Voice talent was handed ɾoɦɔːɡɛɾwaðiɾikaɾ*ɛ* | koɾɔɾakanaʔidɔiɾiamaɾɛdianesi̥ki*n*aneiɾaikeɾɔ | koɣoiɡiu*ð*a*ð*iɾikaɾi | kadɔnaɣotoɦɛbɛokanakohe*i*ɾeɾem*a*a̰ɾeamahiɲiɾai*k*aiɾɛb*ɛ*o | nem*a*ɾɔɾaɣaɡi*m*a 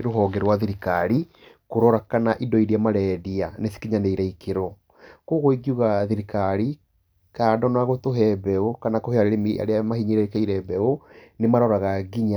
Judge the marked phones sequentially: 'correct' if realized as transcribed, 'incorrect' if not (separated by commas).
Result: incorrect, incorrect, incorrect, correct, incorrect, incorrect, correct, correct, correct, incorrect